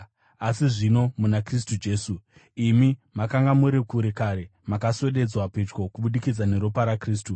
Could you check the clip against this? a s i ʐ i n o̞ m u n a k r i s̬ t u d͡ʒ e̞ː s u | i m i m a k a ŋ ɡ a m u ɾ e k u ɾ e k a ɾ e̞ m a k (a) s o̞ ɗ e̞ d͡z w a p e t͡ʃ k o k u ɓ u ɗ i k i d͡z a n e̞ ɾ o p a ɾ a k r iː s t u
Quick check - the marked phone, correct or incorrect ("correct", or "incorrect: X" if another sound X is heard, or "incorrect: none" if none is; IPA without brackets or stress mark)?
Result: correct